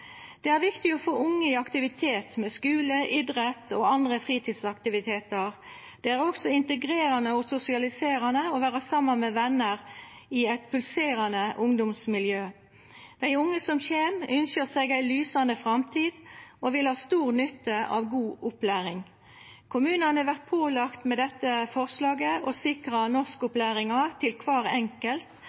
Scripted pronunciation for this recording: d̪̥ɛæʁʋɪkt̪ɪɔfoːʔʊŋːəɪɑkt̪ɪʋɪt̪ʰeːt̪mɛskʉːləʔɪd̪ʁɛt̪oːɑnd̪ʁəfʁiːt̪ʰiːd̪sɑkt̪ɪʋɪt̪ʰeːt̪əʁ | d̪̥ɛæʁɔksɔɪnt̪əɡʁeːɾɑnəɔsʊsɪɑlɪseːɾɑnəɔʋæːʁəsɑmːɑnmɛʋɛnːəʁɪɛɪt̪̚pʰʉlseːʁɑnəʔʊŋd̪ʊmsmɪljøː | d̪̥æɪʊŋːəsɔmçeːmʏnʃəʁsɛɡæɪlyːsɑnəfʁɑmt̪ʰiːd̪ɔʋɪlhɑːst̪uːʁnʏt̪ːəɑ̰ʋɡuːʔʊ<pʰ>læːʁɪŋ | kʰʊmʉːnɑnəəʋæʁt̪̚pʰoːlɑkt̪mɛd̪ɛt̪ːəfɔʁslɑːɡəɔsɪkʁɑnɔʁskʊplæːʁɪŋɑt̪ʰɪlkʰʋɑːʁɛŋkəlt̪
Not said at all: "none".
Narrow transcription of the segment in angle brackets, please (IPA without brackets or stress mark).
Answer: p